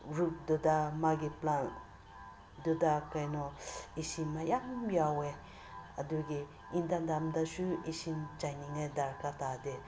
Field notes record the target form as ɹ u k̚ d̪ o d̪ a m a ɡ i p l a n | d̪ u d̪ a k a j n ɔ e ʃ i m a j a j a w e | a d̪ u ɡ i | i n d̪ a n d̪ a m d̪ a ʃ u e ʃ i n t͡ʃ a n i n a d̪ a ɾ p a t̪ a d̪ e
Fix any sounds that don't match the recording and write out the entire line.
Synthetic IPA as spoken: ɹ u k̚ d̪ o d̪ a m a ɡ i p l a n | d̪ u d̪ a k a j n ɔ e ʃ i m a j a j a w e | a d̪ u ɡ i | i n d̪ a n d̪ a m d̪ a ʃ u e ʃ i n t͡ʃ a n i ŋ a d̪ a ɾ k a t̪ a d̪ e